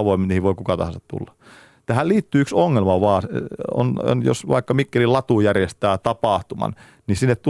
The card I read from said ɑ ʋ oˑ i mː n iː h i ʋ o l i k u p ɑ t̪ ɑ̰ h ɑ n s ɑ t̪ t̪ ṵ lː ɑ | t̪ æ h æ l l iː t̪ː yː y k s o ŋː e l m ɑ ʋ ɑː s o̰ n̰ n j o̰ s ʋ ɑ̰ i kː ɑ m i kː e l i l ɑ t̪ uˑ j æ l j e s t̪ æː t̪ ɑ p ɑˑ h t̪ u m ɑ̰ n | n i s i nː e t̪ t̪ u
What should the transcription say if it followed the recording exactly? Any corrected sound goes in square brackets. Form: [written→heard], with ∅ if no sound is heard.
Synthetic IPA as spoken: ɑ ʋ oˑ i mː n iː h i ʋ o [l→∅] i k u [p→k] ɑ t̪ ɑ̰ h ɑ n s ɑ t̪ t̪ ṵ lː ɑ | t̪ æ h æ l l iː t̪ː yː y k s o ŋː e l m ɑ ʋ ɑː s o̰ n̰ n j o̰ s ʋ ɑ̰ i kː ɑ m i kː e l i l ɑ t̪ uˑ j æ [l→r] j e s t̪ æː t̪ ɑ p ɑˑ h t̪ u m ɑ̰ n | n i s i nː e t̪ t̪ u